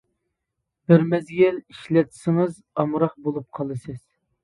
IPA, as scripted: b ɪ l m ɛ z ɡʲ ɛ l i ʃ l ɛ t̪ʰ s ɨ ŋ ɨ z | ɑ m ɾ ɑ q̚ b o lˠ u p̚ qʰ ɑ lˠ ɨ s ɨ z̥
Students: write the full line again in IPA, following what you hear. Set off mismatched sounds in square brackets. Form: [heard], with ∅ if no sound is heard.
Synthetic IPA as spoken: b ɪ [ɾ] m ɛ z ɡʲ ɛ l i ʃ l ɛ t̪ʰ s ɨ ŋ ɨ z | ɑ m ɾ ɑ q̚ b o lˠ u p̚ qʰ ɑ lˠ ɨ s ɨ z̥